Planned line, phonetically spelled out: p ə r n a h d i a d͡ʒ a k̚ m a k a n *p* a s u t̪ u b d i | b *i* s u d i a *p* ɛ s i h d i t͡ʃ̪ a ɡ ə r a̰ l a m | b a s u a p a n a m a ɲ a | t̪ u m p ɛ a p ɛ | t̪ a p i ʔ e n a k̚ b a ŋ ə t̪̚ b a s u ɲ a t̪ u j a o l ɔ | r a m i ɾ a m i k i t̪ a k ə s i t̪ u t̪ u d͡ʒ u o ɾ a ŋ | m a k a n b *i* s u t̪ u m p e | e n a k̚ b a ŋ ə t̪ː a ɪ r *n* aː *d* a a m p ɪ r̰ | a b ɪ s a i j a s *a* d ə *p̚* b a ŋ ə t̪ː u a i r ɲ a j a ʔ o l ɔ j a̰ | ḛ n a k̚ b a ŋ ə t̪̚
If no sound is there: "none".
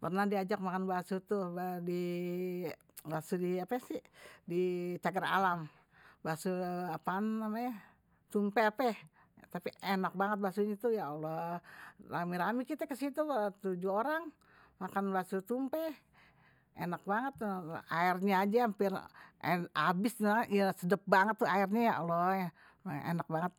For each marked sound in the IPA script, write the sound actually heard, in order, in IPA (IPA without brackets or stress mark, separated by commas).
b, a, p, a, ɲ, d͡ʒ, ə, p̚